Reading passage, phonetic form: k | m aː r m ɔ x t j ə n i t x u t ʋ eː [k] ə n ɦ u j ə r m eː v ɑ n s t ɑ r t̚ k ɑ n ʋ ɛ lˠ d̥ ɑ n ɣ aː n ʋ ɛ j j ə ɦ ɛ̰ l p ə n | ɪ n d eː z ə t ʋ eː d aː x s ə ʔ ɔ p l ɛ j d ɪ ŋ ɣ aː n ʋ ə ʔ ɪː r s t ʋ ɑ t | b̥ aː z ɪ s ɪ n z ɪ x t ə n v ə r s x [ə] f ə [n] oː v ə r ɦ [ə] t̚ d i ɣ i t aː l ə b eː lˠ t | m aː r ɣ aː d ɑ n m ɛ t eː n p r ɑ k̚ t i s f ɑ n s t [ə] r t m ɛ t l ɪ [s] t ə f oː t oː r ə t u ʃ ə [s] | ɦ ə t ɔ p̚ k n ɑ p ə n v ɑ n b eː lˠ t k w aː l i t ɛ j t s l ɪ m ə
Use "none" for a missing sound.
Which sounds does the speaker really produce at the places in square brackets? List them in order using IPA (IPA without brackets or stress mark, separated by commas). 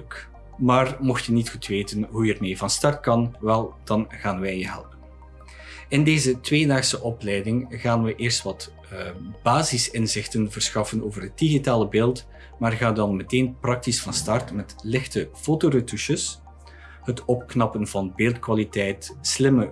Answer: t, ɑ, n, ə, ɑ, x, s